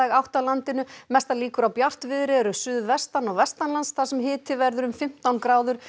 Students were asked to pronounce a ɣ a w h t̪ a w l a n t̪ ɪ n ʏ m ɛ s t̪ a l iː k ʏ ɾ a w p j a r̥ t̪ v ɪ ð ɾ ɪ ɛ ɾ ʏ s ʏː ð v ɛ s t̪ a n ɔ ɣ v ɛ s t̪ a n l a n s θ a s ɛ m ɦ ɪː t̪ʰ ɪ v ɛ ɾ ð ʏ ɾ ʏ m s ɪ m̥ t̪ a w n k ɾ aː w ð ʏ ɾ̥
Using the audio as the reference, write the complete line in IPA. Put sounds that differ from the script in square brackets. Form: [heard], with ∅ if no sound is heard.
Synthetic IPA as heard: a ɣ a w h t̪ a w l a n t̪ ɪ n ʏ m ɛ s t̪ a l iː k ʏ ɾ a w p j a r̥ t̪ v ɪ ð ɾ ɪ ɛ ɾ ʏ s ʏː ð v ɛ s t̪ a n ɔ ɣ v ɛ s t̪ a n l a n s θ a s ɛ m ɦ ɪː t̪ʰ ɪ v ɛ ɾ ð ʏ ɾ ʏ m [f] ɪ m̥ t̪ a w n k ɾ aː w ð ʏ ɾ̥